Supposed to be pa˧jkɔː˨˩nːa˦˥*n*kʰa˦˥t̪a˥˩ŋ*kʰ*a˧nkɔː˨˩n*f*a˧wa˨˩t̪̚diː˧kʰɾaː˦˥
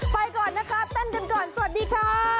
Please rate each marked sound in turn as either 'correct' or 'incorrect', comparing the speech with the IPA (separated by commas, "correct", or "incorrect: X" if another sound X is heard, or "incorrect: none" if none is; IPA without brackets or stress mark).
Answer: incorrect: none, incorrect: k, incorrect: s